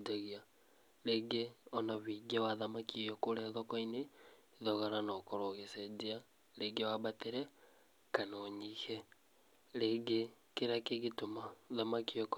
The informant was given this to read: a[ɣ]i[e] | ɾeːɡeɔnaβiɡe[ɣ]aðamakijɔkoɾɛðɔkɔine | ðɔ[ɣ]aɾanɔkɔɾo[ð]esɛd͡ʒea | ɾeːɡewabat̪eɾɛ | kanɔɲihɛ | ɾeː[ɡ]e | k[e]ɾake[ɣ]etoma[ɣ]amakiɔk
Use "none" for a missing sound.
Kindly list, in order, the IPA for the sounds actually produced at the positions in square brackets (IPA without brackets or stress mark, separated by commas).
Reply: ɣ, a, w, ɣ, ɣ, ɡ, e, ɣ, ð